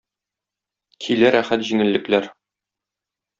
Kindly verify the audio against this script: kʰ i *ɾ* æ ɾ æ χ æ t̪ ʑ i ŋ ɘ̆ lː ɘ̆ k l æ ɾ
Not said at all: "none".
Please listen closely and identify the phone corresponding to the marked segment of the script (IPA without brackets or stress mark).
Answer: l